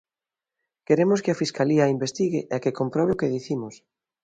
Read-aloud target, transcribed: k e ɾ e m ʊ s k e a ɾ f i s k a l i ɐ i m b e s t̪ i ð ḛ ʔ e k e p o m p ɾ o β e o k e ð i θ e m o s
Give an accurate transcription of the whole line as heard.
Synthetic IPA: k e ɾ e m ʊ s k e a f i s k a l i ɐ i m b e s t̪ i ɣ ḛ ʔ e k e k o m p ɾ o β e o k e ð i θ i m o s